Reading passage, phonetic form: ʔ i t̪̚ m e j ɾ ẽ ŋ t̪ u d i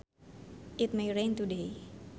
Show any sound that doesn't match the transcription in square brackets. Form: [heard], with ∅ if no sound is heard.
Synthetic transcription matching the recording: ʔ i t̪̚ m e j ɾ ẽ [n] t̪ u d [e]